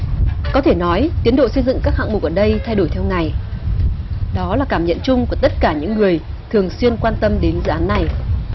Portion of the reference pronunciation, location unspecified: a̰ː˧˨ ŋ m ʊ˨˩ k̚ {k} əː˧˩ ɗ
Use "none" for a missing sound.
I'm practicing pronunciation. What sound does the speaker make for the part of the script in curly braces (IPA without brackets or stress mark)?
ʔ